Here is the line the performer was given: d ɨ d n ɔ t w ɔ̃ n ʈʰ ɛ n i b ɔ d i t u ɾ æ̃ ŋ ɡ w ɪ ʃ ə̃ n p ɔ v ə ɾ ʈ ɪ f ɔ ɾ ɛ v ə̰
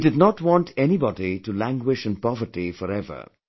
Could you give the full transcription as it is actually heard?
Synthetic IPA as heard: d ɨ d n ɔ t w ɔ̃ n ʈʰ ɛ n i b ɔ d i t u l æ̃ ŋ ɡ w ɪ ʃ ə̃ n p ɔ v ə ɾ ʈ i f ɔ ɾ ɛ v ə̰